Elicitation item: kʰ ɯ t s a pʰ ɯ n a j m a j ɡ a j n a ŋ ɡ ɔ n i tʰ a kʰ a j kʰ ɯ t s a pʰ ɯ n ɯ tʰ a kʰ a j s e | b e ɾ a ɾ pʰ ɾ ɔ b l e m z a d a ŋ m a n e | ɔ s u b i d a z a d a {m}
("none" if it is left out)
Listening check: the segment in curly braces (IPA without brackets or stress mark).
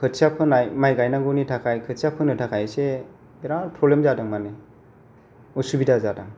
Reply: ŋ